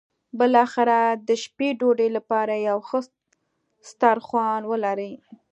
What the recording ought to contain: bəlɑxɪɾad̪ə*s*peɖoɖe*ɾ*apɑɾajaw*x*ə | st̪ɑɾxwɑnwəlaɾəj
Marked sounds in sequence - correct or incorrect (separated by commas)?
incorrect, incorrect, correct